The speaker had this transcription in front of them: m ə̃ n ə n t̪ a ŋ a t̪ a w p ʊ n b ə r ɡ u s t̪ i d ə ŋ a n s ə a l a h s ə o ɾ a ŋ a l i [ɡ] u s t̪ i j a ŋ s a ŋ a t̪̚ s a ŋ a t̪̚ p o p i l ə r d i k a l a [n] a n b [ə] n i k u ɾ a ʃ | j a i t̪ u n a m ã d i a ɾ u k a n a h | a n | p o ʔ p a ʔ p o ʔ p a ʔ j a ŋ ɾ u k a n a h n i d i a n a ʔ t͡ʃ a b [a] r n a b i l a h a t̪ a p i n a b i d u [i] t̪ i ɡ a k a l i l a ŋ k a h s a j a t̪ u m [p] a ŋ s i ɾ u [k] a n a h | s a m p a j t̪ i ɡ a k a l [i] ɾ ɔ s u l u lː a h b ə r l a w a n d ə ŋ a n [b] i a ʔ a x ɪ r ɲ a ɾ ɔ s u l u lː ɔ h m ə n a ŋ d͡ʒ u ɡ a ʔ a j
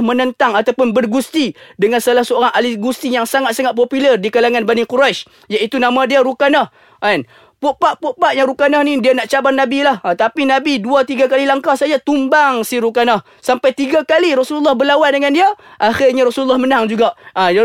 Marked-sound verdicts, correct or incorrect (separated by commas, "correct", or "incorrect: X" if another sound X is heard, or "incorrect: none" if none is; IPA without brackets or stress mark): correct, incorrect: ŋ, incorrect: a, correct, incorrect: a, incorrect: b, correct, correct, incorrect: d